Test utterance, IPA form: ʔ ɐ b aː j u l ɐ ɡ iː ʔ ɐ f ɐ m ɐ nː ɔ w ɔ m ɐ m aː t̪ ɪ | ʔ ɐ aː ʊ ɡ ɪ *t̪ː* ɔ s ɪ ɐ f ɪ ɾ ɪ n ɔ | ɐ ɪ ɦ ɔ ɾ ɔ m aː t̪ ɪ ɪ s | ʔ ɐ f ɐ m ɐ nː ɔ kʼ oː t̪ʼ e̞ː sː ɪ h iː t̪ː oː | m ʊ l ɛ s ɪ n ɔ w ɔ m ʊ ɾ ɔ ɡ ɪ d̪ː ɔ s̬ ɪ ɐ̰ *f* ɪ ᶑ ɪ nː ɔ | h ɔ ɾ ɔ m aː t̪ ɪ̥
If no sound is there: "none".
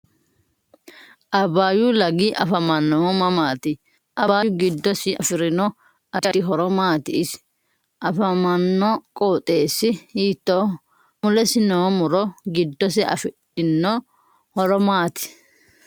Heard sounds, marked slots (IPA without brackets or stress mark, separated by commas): d̪ː, f